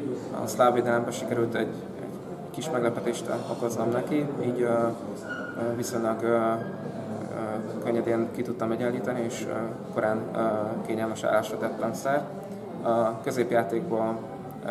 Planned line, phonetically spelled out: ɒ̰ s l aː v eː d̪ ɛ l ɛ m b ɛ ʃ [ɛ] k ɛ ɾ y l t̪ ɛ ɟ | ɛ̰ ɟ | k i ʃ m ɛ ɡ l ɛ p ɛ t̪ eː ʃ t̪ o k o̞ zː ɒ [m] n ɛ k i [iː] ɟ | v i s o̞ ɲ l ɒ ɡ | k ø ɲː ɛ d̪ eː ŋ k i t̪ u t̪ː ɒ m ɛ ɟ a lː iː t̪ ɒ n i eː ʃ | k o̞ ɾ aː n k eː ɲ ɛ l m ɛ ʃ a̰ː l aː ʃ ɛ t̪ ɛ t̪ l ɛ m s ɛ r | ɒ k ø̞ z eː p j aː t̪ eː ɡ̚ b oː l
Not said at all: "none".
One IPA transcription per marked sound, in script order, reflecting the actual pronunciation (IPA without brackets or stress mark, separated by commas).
i, m, iː